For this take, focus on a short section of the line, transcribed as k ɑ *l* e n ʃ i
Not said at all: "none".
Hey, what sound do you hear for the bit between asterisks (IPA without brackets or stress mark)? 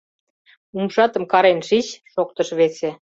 ɾ